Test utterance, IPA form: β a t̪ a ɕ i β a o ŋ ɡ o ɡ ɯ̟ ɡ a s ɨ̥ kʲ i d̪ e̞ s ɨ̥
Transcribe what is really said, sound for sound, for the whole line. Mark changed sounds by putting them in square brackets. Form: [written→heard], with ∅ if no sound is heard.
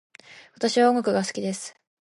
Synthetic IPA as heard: β a t̪ a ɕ i β a o ŋ ɡ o [ɡ→k] ɯ̟ ɡ a s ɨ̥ kʲ i d̪ e̞ s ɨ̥